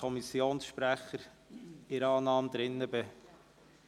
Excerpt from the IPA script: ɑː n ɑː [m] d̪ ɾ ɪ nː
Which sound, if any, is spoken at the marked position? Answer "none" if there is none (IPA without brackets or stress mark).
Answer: m